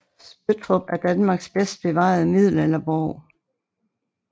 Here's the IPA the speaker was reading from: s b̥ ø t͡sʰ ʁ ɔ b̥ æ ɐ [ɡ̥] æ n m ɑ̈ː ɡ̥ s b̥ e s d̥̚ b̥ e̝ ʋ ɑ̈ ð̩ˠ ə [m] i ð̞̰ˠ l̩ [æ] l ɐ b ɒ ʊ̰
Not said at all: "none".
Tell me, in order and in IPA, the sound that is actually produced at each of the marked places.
d̥, m, e

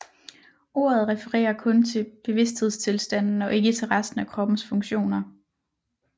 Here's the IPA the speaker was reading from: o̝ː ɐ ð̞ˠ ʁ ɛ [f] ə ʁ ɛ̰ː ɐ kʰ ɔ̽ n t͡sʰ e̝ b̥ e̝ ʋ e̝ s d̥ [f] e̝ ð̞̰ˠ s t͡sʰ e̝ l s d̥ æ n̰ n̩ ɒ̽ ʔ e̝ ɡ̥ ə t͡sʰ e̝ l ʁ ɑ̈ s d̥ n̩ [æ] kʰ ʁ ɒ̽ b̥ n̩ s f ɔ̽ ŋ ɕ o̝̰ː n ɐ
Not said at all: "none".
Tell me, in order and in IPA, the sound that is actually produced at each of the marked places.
f, h, æ

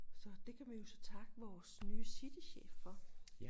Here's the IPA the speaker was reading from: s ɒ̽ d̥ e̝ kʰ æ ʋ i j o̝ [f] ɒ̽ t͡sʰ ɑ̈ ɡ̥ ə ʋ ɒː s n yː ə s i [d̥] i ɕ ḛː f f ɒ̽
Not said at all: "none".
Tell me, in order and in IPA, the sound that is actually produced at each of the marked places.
s, d̥

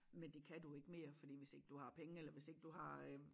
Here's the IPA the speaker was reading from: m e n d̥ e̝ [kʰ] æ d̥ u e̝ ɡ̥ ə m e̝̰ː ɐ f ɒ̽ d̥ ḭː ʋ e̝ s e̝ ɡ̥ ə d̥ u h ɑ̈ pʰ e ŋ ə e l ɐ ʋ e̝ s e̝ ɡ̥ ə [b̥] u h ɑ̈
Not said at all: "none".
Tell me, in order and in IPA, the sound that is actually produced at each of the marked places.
kʰ, d̥

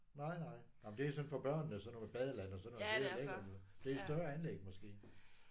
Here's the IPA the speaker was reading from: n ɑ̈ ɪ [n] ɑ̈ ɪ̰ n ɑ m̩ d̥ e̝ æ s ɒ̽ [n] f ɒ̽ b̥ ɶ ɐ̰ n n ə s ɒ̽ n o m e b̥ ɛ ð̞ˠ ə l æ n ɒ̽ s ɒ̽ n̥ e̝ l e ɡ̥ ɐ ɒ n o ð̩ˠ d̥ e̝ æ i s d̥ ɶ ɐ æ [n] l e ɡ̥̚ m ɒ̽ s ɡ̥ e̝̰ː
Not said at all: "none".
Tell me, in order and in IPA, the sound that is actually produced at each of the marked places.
n, n, n

